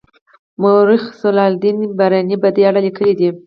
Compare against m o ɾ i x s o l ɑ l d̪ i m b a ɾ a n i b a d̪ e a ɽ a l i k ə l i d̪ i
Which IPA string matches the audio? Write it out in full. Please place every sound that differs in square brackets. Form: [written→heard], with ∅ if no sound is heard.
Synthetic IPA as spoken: m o ɾ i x s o l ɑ l d̪ i [m→n] b a ɾ a n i b a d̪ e a ɽ a l i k ə l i d̪ i